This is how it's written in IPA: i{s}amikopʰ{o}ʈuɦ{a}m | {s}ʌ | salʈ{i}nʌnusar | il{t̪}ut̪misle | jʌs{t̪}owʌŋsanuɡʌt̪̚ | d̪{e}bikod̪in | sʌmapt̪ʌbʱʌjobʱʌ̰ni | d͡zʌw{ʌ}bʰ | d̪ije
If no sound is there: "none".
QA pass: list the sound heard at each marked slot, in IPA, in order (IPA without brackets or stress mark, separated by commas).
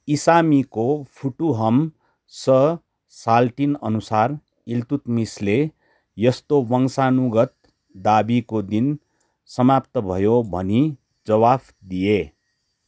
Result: s, u, ʌ, s, i, t̪, t̪, a, a